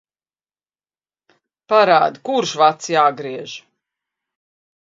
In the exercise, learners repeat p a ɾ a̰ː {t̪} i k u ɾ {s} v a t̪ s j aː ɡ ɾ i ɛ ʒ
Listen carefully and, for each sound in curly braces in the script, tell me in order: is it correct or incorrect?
incorrect, incorrect

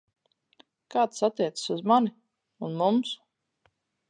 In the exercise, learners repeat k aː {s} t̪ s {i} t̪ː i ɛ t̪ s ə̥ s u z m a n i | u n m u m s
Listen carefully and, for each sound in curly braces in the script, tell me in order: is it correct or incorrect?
incorrect, incorrect

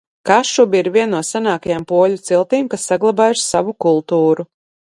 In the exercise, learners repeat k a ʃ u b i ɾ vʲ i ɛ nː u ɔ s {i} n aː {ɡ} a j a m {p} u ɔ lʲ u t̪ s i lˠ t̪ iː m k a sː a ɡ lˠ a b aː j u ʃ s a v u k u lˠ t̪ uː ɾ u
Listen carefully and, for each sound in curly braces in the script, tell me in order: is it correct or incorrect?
incorrect, incorrect, correct

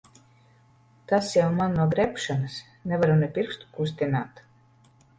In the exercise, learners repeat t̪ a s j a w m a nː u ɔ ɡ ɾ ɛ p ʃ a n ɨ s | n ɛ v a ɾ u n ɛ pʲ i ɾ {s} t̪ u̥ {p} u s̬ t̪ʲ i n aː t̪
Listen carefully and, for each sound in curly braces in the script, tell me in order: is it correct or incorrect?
correct, incorrect

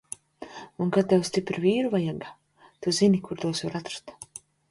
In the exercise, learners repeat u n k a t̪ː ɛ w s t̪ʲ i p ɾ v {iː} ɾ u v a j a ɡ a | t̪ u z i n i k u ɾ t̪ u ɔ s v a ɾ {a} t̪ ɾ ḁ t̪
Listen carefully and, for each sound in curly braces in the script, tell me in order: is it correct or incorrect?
correct, correct

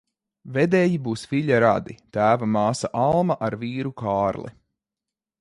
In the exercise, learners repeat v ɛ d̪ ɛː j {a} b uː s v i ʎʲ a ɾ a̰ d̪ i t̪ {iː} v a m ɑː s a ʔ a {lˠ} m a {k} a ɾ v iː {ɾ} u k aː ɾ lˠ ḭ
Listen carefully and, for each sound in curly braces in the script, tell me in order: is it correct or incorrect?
incorrect, incorrect, correct, incorrect, correct

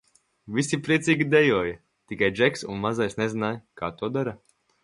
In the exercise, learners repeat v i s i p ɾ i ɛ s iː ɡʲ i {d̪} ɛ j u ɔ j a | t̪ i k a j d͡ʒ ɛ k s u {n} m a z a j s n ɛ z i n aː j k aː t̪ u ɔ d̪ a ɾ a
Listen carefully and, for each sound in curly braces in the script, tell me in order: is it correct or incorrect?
correct, correct

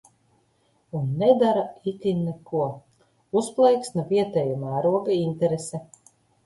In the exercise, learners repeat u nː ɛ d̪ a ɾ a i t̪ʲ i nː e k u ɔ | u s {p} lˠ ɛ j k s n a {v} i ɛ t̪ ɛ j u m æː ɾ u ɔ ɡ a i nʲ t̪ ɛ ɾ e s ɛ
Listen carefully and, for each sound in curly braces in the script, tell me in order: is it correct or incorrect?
correct, correct

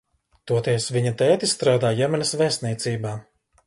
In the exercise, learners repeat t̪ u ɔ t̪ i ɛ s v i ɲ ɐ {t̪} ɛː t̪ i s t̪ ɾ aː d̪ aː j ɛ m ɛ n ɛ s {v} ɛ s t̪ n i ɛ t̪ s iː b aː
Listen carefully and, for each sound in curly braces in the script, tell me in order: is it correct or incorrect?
correct, correct

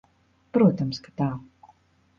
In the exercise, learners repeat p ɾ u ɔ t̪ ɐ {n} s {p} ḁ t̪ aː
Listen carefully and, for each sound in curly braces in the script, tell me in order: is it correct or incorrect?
incorrect, incorrect

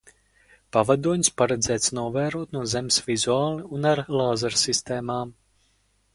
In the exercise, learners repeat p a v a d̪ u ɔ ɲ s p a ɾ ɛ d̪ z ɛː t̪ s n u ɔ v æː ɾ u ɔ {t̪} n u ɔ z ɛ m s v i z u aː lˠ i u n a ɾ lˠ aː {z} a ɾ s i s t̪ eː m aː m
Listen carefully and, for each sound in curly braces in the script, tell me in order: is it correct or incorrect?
correct, correct

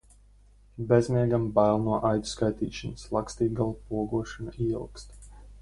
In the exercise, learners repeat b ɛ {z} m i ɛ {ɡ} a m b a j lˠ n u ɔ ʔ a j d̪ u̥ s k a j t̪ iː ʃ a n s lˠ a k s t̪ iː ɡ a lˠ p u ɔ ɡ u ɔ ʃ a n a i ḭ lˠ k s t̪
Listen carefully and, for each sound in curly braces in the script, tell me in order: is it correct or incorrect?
correct, correct

